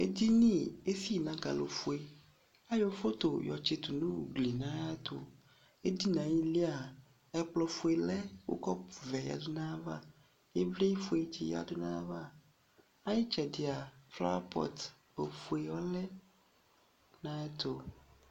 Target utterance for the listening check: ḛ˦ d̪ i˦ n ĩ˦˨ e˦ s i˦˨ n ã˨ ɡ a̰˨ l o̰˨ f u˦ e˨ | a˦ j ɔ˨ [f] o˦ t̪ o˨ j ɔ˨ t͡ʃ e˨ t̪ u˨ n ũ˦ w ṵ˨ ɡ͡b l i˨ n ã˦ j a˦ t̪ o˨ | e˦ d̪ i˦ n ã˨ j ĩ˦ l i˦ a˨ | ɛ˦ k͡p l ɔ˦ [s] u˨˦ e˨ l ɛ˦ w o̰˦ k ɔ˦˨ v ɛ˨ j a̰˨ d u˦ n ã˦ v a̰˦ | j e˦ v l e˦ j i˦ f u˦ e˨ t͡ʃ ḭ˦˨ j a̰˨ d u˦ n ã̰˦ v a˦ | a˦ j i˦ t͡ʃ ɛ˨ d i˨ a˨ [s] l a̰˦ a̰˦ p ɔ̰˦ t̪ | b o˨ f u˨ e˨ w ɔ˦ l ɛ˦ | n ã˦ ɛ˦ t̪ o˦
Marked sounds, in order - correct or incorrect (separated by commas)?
correct, incorrect, incorrect